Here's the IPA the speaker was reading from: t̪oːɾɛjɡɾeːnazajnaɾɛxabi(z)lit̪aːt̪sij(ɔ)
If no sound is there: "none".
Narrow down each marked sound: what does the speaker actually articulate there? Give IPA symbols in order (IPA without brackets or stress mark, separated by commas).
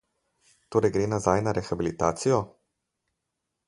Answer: none, ɔ